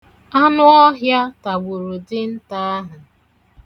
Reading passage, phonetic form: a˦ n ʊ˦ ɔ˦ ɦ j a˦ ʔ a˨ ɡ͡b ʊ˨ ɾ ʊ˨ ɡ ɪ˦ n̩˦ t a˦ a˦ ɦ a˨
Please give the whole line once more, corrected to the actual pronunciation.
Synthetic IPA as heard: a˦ n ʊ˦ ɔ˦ ɦ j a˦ t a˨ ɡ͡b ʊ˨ ɾ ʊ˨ d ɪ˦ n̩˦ t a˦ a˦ ɦ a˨